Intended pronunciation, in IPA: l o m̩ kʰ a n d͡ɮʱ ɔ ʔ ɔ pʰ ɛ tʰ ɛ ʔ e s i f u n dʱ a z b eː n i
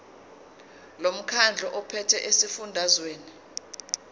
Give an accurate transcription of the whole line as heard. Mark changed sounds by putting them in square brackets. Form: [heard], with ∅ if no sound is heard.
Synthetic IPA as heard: l o m̩ kʰ a n d͡ɮʱ ɔ ʔ ɔ pʰ ɛ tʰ ɛ ʔ e s i f u n dʱ a z [w] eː n i